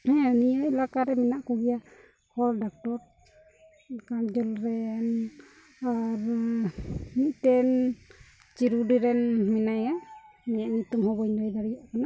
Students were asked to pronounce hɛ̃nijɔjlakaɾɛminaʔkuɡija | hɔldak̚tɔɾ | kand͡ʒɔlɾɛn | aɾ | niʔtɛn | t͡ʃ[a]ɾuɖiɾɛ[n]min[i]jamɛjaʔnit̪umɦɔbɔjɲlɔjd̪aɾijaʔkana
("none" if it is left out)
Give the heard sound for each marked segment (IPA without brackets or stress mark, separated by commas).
i, n, a